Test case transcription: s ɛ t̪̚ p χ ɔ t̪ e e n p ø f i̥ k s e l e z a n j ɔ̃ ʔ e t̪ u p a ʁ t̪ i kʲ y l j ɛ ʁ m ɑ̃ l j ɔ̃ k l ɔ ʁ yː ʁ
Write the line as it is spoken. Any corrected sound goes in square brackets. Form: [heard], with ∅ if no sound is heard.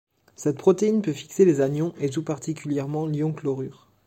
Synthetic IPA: s ɛ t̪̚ p χ ɔ t̪ e [i] n p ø f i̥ k s e l e z a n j ɔ̃ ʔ e t̪ u p a ʁ t̪ i kʲ y l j ɛ ʁ m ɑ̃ l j ɔ̃ k l ɔ ʁ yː ʁ